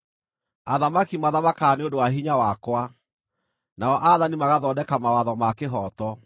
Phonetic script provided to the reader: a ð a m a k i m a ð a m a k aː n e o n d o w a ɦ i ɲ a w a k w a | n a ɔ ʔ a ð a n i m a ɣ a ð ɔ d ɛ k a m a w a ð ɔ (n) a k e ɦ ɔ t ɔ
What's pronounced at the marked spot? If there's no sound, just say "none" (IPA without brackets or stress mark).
m